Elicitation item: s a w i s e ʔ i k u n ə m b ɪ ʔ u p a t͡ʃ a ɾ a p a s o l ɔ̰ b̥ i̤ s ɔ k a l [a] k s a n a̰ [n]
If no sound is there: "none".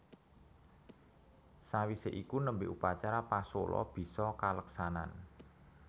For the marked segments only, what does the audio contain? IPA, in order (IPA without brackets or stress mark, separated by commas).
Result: ə, n